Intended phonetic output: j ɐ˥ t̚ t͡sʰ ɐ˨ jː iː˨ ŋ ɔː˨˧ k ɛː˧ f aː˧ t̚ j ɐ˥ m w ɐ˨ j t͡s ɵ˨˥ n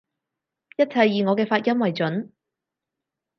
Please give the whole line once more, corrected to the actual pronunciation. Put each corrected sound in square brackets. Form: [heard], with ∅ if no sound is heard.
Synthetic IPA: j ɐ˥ t̚ t͡sʰ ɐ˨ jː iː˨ ŋ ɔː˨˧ k ɛː˧ f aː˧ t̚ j ɐ˥ m w ɐ˨ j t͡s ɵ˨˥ n